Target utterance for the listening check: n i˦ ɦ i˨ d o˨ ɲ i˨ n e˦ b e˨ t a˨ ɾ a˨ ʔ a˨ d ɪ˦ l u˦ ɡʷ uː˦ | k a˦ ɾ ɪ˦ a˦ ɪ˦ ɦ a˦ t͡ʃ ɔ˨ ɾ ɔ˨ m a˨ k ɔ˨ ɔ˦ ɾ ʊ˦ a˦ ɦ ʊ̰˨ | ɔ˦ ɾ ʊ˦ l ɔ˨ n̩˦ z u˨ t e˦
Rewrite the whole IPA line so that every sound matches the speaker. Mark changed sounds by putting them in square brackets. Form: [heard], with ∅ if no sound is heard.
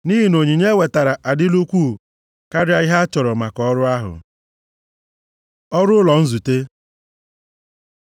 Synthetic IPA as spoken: n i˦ ɦ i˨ [n] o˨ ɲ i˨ [ɲ] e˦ [w] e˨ t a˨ ɾ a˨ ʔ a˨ d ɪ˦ l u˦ [kʷ] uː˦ | k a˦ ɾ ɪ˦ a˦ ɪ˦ ɦ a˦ t͡ʃ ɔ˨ ɾ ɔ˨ m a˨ k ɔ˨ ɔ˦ ɾ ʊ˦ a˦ ɦ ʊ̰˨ | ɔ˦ ɾ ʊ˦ l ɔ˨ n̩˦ z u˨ t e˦